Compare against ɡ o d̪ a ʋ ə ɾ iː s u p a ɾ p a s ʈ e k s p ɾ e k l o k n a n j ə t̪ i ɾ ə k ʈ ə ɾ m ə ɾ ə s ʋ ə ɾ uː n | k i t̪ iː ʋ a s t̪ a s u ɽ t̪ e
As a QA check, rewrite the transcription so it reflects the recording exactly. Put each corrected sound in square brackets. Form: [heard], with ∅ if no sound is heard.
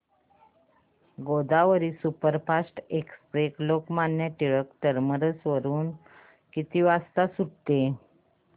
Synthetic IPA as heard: ɡ o d̪ a ʋ ə ɾ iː s u p [ə] ɾ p a s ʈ e k s p ɾ e k l o k [m] a n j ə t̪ i [ɭ] ə k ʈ ə ɾ m ə ɾ ə s ʋ ə ɾ uː n | k i t̪ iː ʋ a s t̪ a s u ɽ t̪ e